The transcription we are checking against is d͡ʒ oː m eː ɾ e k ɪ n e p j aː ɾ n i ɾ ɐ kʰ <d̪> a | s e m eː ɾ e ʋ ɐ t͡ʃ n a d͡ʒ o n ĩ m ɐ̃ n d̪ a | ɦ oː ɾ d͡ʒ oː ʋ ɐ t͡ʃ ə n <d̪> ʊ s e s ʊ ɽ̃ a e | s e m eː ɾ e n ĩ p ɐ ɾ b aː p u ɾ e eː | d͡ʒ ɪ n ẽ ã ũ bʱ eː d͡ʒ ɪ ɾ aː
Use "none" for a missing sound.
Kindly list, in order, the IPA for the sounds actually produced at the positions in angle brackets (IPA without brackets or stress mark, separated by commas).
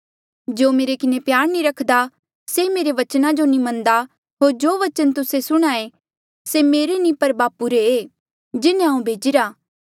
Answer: d̪, t̪